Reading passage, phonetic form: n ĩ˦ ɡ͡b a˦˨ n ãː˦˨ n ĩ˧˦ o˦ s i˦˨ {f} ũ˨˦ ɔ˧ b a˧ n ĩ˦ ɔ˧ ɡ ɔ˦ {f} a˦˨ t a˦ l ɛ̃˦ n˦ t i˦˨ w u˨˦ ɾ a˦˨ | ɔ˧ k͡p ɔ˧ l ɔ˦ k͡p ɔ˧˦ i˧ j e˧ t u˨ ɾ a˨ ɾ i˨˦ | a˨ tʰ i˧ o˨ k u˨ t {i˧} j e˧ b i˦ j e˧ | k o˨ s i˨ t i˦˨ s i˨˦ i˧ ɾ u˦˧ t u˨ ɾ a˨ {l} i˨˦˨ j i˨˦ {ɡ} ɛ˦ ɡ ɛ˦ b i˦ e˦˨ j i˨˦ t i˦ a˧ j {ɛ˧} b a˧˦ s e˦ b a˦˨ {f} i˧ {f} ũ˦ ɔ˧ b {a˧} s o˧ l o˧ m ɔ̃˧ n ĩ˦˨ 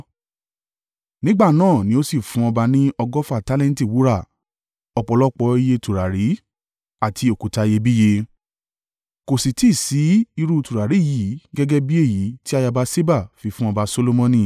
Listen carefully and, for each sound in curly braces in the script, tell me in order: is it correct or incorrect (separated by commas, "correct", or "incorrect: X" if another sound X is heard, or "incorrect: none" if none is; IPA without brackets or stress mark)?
correct, correct, incorrect: a˧, incorrect: ɾ, correct, incorrect: a˧, correct, correct, correct